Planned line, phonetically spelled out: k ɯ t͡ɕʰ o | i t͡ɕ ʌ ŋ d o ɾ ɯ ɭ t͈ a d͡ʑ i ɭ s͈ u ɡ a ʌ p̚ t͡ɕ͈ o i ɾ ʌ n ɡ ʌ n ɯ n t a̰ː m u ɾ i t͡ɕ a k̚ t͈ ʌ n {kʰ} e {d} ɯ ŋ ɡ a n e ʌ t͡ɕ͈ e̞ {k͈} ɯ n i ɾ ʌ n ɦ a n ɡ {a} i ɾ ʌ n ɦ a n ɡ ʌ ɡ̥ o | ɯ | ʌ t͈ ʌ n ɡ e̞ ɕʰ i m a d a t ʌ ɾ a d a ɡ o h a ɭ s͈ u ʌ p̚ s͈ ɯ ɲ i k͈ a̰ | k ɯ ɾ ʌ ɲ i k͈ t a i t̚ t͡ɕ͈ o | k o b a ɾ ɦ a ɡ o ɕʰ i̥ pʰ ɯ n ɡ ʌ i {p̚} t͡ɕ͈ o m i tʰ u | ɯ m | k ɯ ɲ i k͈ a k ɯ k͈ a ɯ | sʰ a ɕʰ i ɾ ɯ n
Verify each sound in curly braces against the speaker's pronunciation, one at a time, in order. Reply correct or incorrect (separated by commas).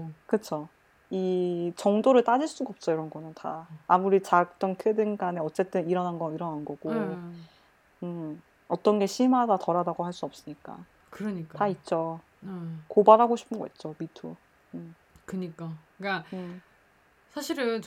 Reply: correct, correct, incorrect, incorrect, incorrect